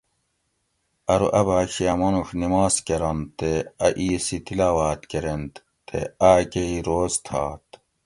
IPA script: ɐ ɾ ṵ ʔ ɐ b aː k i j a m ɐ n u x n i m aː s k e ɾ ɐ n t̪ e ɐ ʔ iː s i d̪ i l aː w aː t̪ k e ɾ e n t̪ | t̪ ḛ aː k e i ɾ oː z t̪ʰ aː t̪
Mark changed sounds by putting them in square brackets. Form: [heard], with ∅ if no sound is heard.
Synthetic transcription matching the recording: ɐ ɾ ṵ ʔ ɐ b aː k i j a m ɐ n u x n i m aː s k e ɾ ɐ n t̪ e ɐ ʔ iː s i [t̪] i l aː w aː t̪ k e ɾ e n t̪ | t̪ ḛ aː k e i ɾ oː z t̪ʰ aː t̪